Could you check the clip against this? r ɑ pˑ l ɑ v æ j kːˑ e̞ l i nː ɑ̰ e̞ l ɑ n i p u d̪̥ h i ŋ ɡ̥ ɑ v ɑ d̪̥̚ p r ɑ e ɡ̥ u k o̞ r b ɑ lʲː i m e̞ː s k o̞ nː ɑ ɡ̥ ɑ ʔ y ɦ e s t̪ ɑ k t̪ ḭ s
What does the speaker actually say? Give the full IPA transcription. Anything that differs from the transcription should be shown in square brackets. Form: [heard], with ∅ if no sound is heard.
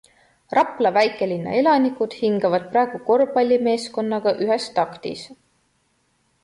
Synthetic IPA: r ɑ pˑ l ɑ v æ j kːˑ e̞ l i nː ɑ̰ e̞ l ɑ n i [k] u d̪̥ h i ŋ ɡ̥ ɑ v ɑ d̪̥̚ p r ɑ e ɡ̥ u k o̞ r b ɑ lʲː i m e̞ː s k o̞ nː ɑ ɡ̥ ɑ ʔ y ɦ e s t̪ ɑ k t̪ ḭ s